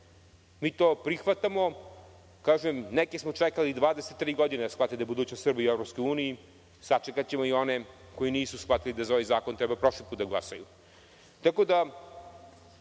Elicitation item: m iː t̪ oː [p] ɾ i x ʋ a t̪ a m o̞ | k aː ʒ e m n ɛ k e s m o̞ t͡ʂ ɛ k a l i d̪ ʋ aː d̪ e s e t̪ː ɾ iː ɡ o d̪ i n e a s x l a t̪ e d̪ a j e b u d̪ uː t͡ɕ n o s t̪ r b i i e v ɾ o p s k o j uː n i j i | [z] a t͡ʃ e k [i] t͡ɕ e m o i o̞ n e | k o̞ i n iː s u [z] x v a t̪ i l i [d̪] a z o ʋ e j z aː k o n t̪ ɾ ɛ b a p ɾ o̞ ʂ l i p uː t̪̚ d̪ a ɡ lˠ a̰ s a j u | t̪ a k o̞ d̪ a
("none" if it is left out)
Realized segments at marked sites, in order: p, s, a, s, d̪

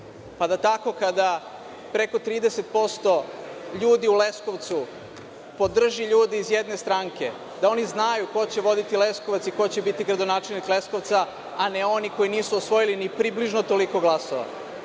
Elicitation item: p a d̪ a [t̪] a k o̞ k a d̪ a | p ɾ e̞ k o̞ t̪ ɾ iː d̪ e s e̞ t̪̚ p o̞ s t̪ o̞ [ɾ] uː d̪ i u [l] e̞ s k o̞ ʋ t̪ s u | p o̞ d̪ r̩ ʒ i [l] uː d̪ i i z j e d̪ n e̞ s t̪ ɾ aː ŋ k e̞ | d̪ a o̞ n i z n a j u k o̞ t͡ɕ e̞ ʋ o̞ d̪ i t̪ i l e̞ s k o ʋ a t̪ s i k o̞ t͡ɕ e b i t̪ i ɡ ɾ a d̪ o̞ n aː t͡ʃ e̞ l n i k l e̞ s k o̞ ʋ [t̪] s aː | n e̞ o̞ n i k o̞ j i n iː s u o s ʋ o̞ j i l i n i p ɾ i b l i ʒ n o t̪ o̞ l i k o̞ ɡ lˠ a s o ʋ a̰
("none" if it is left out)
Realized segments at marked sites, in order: t̪, ʎ, l, ʎ, t̪

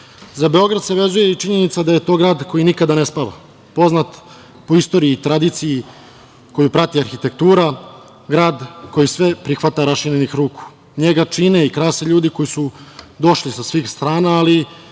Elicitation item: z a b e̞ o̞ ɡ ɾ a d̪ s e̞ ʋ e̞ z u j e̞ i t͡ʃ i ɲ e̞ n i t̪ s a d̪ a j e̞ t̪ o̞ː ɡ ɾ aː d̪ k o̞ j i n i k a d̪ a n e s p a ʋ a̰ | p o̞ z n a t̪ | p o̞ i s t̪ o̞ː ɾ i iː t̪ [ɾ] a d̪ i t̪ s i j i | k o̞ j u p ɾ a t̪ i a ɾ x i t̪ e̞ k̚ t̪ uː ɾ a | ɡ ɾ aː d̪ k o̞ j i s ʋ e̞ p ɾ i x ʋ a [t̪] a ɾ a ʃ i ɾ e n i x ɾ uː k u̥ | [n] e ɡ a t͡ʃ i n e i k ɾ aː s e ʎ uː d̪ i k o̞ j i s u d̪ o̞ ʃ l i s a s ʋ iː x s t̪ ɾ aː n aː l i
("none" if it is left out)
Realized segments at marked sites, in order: ɾ, t̪, ɲ

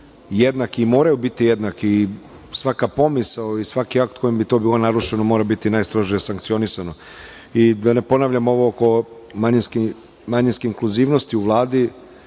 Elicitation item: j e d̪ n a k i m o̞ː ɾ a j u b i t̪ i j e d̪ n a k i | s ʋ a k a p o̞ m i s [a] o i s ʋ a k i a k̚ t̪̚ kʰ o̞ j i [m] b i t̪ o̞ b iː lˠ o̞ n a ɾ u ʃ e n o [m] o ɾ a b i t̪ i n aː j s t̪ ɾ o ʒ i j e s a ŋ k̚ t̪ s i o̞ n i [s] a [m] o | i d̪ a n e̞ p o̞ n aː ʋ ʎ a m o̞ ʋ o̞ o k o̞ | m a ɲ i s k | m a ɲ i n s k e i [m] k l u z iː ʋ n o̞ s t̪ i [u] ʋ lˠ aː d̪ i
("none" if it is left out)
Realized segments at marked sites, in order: a, m, m, s, n, ŋ, u

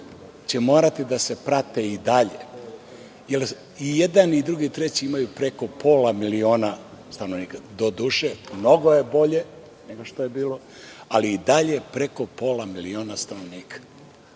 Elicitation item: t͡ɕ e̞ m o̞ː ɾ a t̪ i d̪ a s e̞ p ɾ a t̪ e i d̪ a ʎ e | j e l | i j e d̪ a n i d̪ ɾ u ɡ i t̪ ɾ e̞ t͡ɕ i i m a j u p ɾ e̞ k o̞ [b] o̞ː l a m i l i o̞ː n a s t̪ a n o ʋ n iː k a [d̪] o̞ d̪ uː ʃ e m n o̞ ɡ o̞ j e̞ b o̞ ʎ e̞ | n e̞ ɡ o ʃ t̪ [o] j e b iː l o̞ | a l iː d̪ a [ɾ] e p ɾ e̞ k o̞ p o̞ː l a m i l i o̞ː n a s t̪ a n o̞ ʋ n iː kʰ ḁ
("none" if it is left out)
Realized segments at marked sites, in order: p, d̪, o, ʎ

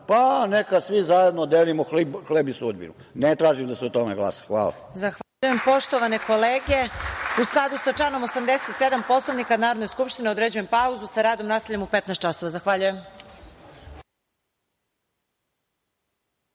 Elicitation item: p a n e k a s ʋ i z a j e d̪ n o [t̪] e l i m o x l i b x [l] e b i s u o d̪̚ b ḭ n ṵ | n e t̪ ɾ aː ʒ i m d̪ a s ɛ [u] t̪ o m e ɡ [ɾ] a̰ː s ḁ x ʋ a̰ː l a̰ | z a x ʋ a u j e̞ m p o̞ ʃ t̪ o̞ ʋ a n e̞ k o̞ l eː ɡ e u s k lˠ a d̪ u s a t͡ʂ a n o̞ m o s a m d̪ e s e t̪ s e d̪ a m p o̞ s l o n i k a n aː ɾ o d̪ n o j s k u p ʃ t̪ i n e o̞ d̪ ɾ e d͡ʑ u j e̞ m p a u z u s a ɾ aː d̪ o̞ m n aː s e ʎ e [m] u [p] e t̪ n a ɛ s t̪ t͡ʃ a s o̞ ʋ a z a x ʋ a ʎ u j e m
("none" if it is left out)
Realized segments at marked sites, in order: d̪, l, o, l, m, p

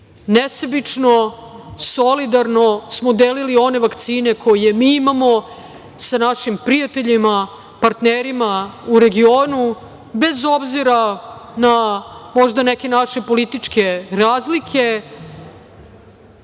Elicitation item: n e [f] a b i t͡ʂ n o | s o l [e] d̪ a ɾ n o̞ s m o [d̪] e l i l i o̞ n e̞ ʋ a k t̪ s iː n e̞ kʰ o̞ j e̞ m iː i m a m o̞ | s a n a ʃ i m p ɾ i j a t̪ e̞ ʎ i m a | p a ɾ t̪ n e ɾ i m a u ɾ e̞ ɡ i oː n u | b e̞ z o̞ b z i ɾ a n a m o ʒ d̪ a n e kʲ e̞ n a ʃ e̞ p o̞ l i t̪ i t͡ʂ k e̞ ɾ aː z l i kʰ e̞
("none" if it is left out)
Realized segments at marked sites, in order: s, i, d̪

